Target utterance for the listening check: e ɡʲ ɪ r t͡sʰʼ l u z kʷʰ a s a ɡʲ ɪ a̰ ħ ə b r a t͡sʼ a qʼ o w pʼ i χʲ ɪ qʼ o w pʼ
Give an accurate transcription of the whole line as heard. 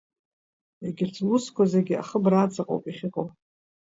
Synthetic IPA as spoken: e ɡʲ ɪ r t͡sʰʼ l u s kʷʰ a z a ɡʲ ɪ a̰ χ ə b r a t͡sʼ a qʼ o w pʼ i χʲ ɪ qʼ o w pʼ